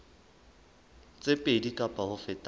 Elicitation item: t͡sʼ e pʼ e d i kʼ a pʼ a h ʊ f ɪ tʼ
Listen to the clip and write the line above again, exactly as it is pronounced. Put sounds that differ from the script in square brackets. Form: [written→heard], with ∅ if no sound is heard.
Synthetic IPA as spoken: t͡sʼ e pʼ e d i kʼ a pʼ a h ʊ f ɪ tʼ